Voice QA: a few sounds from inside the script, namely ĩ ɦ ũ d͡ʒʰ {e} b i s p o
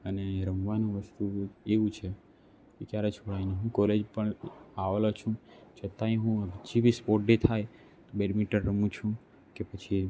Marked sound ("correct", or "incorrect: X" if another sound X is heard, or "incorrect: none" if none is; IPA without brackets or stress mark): incorrect: i